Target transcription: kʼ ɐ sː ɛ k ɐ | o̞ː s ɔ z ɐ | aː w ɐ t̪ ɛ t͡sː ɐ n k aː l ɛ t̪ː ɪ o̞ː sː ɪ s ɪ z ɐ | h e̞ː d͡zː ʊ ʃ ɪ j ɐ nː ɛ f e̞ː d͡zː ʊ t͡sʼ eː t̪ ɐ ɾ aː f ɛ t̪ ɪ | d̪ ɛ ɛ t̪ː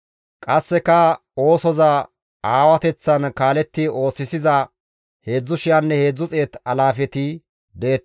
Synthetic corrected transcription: kʼ ɐ sː ɛ k ɐ | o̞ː s ɔ z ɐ | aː w ɐ t̪ ɛ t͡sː ɐ n k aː l ɛ t̪ː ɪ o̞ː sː ɪ s ɪ z ɐ | h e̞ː d͡zː ʊ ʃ ɪ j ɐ nː ɛ h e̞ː d͡zː ʊ t͡sʼ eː t̪ ɐ l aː f ɛ t̪ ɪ | d̪ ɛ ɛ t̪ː